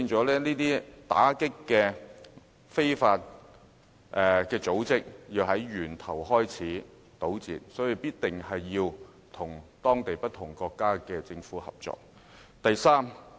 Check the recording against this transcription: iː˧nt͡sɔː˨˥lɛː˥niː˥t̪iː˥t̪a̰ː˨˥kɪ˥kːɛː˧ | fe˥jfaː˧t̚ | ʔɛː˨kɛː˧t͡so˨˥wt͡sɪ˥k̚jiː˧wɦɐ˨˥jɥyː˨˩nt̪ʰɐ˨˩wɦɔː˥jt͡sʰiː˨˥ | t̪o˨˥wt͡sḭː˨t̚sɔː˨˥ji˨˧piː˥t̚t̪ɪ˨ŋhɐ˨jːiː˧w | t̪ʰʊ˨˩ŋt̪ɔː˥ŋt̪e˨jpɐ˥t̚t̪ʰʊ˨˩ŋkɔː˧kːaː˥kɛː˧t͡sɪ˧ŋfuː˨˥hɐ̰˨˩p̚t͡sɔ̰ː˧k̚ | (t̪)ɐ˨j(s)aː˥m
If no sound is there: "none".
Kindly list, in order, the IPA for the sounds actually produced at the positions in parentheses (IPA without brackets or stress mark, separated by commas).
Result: t̪, s